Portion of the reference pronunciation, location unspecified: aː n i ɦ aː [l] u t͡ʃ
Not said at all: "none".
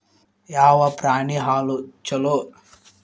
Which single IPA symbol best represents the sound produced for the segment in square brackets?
l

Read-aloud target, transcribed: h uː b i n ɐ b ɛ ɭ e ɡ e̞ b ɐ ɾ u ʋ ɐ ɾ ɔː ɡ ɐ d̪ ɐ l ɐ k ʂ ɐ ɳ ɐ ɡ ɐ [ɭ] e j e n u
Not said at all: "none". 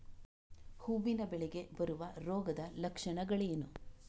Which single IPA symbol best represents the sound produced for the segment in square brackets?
ɭ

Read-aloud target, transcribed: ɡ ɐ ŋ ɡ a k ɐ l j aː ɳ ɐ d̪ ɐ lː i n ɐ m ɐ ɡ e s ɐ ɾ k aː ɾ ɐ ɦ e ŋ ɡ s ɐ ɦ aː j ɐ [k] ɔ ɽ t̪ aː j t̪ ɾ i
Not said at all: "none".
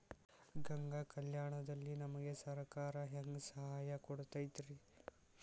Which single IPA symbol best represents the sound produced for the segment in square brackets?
k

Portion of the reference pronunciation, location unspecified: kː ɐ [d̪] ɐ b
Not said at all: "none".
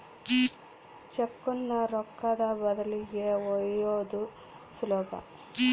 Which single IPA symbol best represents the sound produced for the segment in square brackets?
d̪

